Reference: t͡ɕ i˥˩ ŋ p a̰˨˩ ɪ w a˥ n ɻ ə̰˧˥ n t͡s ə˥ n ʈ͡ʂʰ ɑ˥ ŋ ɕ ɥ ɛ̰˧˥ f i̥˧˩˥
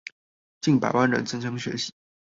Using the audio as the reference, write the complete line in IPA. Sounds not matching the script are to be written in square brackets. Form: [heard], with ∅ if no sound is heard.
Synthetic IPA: t͡ɕ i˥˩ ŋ p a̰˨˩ ɪ w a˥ n ɻ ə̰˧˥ n t͡s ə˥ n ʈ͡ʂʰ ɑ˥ ŋ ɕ ɥ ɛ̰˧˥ [ɕ] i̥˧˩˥